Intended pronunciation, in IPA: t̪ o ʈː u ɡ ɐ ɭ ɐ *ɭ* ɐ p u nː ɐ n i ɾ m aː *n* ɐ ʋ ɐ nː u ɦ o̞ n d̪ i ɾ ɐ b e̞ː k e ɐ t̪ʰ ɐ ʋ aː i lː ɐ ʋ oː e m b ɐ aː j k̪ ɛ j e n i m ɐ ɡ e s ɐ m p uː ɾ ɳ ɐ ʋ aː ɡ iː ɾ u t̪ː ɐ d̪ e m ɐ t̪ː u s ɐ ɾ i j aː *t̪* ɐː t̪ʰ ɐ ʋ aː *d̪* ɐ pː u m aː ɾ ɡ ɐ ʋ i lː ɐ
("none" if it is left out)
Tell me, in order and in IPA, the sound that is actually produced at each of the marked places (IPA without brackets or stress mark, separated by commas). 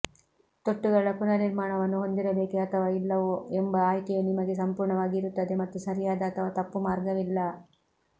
ɭ, ɳ, d̪, t̪